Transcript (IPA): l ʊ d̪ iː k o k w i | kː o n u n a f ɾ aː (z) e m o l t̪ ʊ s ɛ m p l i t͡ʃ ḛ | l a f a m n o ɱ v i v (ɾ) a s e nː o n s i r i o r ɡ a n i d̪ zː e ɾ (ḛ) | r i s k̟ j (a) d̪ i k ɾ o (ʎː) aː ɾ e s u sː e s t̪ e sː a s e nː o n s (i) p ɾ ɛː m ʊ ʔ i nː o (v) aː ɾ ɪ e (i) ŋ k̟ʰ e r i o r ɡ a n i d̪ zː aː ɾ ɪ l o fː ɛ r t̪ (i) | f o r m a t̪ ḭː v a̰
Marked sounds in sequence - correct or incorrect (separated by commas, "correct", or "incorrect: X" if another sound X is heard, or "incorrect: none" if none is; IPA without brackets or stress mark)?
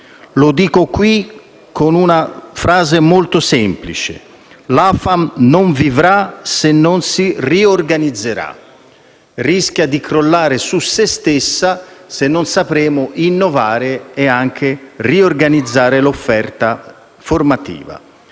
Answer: correct, correct, incorrect: a̰, correct, incorrect: lː, incorrect: a, correct, incorrect: a, incorrect: a